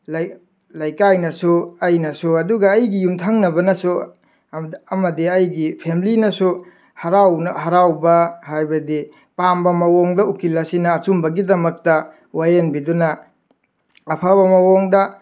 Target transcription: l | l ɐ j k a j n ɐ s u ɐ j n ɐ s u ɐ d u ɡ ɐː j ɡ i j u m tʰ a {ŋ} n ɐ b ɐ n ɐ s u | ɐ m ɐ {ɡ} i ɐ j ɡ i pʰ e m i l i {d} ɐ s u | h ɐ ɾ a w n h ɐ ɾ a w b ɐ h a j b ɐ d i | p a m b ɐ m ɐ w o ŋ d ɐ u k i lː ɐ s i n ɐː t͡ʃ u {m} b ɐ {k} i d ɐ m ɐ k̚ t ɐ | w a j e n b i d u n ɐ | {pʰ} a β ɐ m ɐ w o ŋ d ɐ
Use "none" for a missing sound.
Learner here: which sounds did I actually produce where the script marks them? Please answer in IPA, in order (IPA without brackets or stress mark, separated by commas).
ŋ, d, n, m, ɡ, pʰ